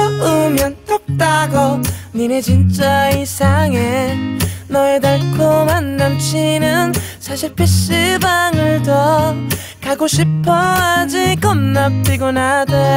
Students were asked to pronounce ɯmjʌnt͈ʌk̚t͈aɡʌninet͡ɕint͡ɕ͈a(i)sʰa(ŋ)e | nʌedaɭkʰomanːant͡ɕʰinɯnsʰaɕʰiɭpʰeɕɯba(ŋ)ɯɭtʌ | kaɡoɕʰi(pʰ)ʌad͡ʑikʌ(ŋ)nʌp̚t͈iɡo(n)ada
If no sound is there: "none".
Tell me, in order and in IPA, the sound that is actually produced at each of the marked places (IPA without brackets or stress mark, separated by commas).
i, ŋ, ŋ, pʰ, m, n